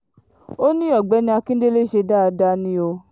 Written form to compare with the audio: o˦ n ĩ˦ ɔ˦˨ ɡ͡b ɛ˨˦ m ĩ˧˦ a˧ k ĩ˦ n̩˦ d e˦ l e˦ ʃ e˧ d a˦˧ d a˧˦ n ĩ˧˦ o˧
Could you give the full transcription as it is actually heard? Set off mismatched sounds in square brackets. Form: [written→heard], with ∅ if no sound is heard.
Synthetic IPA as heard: o˦ n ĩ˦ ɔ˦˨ ɡ͡b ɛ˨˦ [m→n] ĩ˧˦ a˧ k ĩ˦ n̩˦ d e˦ l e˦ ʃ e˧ d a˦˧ d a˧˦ n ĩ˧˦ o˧